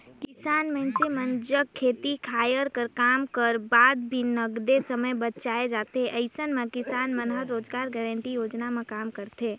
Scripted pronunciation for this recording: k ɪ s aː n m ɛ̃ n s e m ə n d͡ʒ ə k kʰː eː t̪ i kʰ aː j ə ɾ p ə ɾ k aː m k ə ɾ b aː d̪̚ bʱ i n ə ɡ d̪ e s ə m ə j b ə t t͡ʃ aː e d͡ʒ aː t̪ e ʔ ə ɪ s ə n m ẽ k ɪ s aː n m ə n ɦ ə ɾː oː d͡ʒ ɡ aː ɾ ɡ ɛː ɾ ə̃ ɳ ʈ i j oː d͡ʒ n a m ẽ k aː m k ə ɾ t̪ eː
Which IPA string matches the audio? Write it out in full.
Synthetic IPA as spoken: k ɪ s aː n m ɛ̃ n s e m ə n d͡ʒ ə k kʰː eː t̪ i kʰ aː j ə ɾ k ə ɾ k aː m k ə ɾ b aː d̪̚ bʱ i n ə ɡ d̪ e s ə m ə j b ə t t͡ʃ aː e d͡ʒ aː t̪ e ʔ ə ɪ s ə n m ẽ k ɪ s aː n m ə n ɦ ə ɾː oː d͡ʒ ɡ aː ɾ ɡ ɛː ɾ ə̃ ɳ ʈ i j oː d͡ʒ n a m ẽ k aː m k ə ɾ t̪ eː